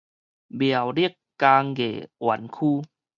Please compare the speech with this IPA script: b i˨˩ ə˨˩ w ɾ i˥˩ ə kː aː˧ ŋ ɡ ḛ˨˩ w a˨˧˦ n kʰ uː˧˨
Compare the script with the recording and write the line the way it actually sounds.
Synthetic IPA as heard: b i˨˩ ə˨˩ w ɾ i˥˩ ə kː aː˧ ŋ ɡ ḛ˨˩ w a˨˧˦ n kʰ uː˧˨